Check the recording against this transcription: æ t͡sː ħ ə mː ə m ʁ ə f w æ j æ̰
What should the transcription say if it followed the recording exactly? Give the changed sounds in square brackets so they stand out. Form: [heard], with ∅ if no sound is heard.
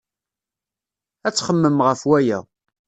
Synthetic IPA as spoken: æ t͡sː [χ] ə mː ə m ʁ ə f w æ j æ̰